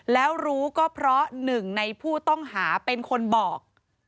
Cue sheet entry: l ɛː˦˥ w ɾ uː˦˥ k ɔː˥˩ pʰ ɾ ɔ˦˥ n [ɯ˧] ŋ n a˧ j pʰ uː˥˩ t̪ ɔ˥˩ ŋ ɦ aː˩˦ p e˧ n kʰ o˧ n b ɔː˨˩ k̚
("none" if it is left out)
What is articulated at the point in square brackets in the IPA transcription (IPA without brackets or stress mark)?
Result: ɯ˨˩